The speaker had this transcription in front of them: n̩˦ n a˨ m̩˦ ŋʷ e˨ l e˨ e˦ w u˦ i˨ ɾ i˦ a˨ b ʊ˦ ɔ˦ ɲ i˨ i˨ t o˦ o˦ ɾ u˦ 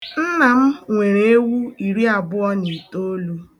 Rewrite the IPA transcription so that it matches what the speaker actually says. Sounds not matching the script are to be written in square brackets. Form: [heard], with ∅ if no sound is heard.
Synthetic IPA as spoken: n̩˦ n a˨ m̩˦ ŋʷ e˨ [ɾ] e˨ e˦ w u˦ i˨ ɾ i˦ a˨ b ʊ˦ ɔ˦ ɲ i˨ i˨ t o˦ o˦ [l] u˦

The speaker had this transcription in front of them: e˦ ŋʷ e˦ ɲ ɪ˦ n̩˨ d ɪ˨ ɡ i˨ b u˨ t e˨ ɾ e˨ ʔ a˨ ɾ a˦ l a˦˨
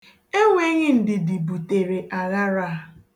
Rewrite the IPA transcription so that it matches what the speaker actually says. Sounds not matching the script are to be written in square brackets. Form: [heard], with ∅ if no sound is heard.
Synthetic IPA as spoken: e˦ ŋʷ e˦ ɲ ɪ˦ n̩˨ d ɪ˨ [d] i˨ b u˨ t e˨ ɾ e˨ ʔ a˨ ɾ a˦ [ɾ] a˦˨

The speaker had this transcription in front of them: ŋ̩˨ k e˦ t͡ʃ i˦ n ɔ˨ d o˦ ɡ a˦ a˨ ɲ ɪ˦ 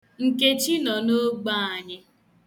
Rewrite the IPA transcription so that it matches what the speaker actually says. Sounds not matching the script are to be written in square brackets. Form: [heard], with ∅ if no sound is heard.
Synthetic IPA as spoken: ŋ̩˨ k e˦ t͡ʃ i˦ n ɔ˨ [n] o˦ [ɡ͡b] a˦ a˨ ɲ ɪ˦

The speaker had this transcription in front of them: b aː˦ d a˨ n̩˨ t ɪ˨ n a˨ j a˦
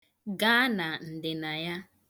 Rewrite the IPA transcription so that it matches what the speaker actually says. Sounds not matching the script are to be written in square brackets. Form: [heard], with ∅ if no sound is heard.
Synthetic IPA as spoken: [ɡ] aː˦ [n] a˨ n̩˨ [d] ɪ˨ n a˨ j a˦

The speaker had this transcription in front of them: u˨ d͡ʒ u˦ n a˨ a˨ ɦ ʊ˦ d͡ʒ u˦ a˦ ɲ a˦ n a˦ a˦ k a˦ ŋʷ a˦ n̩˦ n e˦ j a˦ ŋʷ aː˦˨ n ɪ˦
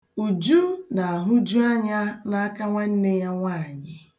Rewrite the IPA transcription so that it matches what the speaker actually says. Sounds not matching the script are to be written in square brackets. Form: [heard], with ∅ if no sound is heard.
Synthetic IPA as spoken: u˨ d͡ʒ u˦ n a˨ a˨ ɦ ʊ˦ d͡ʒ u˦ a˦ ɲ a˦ n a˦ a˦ k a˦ ŋʷ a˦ n̩˦ n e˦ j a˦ ŋʷ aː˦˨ [ɲ] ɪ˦

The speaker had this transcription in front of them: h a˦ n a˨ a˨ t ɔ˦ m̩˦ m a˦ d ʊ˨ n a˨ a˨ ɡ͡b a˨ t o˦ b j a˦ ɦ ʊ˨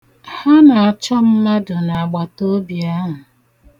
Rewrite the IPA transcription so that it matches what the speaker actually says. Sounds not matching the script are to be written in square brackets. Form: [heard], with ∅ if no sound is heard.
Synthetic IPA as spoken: h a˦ n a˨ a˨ [t͡ʃ] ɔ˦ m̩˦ m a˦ d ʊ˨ n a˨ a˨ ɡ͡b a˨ t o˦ b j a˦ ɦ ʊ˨

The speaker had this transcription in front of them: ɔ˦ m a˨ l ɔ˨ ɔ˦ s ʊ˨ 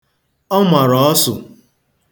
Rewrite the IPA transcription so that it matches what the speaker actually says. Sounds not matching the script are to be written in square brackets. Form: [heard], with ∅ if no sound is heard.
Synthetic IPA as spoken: ɔ˦ m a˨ [ɾ] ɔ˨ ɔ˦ s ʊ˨

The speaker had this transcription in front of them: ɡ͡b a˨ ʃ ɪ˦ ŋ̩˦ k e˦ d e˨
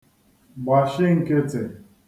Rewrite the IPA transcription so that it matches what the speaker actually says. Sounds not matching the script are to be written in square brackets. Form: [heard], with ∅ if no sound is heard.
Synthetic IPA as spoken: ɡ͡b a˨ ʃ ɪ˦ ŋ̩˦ k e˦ [t] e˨

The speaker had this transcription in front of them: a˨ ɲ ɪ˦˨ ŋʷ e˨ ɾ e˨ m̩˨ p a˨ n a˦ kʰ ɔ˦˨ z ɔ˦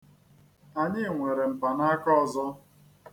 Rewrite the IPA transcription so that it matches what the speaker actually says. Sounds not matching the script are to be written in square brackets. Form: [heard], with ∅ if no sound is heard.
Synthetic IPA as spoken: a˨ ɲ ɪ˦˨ ŋʷ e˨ ɾ e˨ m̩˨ p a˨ n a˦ [k] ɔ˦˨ z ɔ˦

